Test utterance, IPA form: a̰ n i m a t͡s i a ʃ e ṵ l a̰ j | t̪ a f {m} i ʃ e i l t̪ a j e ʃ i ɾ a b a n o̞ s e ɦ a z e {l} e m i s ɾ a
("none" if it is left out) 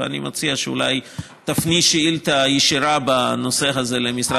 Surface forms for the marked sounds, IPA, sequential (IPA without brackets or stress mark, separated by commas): n, l